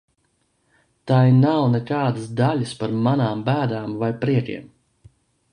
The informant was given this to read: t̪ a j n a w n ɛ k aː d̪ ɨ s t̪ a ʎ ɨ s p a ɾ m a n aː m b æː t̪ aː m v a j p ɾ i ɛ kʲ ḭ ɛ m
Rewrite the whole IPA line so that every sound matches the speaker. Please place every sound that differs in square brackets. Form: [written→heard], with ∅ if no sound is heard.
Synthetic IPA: t̪ a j n a w n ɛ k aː d̪ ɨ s [t̪→d̪] a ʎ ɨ s p a ɾ m a n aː m b æː [t̪→d̪] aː m v a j p ɾ i ɛ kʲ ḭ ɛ m